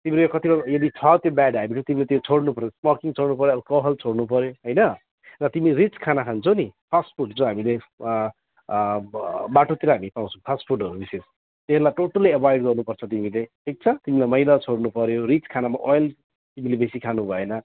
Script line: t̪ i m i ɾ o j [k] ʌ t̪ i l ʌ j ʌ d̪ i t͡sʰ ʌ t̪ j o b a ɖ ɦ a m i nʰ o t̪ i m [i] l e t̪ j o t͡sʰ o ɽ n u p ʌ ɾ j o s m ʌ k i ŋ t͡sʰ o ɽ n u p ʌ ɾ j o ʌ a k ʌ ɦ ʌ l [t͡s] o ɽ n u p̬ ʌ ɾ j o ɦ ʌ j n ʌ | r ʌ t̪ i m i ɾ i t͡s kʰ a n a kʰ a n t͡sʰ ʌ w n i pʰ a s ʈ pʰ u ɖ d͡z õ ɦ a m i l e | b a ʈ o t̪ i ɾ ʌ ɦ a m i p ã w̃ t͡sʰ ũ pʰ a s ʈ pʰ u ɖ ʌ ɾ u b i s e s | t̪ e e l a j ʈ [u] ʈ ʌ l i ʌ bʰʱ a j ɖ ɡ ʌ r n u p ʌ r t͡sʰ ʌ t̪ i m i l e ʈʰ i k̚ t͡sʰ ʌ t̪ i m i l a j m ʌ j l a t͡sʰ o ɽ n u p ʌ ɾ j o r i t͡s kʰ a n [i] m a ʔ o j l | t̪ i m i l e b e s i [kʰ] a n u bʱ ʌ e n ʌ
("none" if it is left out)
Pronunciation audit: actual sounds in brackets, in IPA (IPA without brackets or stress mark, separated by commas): k, i, t͡sʰ, o, a, kʰ